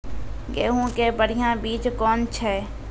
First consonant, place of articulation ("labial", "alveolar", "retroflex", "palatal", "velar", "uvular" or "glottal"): velar